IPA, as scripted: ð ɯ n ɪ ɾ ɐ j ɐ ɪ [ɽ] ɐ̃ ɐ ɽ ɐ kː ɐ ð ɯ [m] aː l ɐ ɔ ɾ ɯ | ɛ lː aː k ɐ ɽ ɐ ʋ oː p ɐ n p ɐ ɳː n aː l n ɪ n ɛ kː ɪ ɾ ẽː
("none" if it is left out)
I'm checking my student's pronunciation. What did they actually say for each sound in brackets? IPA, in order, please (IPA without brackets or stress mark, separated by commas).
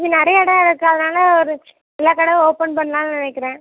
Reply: ɽ, n